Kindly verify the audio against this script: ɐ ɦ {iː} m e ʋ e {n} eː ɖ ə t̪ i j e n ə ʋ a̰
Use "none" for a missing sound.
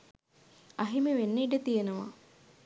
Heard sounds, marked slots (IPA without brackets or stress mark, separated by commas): i, nː